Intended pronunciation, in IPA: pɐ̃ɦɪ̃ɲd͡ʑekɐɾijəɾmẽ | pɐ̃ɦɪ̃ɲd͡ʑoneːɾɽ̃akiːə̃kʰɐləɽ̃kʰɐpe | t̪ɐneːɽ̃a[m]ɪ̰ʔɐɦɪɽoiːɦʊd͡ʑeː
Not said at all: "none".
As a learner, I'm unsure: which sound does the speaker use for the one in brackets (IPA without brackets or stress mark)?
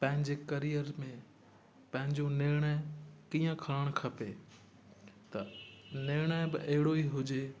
b